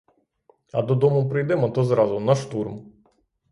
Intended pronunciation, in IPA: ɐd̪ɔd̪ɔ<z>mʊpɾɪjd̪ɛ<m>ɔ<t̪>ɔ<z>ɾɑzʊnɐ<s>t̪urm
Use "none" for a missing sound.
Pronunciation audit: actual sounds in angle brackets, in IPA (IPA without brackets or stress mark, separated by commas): none, m, t̪, z, ʃ